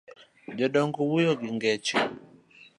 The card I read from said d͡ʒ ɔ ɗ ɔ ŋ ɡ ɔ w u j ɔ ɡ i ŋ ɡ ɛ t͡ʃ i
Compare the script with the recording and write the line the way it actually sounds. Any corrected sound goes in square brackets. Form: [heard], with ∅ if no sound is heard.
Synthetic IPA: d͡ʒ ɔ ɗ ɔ ŋ ɡ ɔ w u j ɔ ɡ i ŋ ɡ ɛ t͡ʃ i